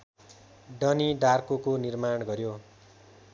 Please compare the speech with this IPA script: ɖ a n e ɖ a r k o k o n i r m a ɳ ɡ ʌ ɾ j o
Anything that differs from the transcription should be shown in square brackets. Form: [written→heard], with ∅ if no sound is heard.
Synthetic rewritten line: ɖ [a→ʌ] n [e→i] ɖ a r k o k o n i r m a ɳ ɡ ʌ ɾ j o